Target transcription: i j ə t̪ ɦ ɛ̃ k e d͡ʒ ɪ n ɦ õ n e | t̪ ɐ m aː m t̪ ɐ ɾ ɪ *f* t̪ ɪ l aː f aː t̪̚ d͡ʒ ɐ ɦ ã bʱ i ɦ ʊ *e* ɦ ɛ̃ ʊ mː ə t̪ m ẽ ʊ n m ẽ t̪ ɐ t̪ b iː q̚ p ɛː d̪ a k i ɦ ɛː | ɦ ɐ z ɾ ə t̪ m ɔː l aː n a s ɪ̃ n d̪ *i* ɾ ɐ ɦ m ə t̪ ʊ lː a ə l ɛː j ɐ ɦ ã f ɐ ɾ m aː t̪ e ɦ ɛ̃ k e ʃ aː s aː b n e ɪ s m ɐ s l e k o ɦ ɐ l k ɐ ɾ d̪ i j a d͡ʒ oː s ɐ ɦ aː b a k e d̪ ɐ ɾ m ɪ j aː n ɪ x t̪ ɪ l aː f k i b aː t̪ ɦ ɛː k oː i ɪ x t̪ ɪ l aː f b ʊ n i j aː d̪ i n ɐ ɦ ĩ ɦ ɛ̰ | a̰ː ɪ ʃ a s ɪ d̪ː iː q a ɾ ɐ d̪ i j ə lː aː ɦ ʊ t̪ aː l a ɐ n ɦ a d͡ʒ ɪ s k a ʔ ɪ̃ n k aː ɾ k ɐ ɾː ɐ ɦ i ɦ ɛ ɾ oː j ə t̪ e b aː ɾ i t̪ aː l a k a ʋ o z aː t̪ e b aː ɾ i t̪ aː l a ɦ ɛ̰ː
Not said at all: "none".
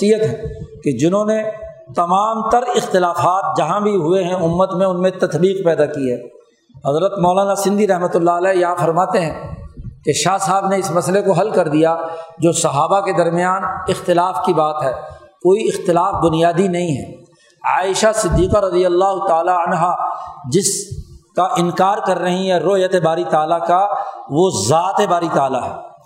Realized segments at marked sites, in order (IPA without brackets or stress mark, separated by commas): x, e, i